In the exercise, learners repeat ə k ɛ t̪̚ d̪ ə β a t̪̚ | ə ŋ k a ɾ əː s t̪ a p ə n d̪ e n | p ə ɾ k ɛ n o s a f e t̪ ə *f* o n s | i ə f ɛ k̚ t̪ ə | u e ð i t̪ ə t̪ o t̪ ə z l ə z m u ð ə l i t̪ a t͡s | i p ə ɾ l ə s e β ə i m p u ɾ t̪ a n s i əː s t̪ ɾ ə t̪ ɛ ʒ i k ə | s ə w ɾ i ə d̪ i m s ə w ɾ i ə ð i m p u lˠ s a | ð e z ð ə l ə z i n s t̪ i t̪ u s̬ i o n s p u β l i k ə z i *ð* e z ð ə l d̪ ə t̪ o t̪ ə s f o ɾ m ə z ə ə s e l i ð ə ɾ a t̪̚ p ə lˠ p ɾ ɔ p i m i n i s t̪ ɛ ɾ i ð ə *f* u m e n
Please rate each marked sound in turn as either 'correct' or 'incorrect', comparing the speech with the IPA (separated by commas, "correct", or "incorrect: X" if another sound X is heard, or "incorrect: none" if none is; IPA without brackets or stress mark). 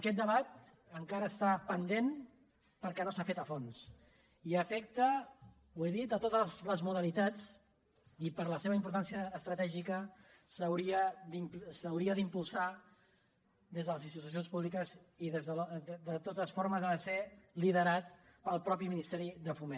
correct, correct, correct